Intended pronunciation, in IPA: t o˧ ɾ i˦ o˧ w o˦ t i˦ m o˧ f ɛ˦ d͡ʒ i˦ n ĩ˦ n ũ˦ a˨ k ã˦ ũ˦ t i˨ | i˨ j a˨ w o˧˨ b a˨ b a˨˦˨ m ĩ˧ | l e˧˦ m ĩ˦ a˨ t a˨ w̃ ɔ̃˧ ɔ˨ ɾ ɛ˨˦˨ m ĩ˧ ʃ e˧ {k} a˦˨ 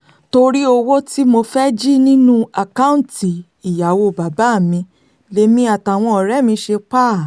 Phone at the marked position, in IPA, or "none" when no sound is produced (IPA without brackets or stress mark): k͡p